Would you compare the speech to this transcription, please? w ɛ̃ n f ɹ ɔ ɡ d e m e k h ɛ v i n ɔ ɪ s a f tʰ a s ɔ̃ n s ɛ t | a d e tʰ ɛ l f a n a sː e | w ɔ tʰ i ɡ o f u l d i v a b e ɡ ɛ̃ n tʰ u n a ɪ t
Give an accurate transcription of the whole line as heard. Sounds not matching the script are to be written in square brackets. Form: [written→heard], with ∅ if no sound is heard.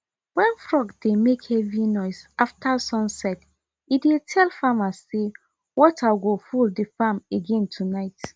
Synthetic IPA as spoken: w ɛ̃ n f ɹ ɔ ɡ d e m e k h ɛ v i n ɔ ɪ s a f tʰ a s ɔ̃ n s ɛ t | [a→i] d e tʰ ɛ l f a [n→m] a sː e | w ɔ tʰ [i→a] ɡ o f u l d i [v→f] a [b→m] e ɡ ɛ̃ n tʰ u n a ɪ t